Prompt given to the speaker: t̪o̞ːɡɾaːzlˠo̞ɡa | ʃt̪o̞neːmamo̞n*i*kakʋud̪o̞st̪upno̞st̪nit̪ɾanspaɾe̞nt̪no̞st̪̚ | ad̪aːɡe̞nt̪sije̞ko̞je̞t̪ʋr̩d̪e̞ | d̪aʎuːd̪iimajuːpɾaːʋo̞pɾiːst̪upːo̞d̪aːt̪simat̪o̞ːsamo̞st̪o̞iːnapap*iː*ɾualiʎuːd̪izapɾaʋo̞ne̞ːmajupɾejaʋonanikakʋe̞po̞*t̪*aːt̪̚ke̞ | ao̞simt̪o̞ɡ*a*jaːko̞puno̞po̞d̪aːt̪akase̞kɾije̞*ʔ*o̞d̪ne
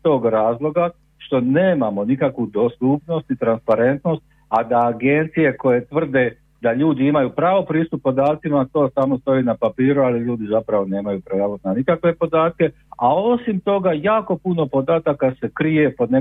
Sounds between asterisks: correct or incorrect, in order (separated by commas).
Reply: correct, correct, incorrect, correct, incorrect